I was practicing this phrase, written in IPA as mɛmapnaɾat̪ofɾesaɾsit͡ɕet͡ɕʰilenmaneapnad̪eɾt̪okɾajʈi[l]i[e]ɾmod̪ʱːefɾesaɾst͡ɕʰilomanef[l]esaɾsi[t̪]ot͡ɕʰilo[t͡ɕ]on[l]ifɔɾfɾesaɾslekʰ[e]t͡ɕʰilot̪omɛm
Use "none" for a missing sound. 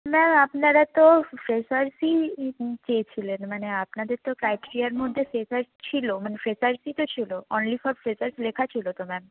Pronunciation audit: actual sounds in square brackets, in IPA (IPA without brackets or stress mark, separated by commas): ɾ, a, ɾ, t̪, none, l, a